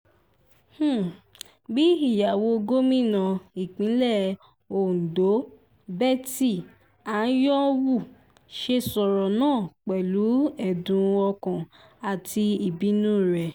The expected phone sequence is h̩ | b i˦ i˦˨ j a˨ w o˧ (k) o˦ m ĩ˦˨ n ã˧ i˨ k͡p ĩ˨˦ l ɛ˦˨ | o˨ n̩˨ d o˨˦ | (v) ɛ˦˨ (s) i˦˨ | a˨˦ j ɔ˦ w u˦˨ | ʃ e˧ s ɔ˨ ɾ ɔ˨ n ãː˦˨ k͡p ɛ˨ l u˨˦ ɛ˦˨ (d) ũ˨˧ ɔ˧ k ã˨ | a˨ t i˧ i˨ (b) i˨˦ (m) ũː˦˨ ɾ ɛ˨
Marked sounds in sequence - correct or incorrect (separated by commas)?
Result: incorrect, incorrect, incorrect, correct, correct, incorrect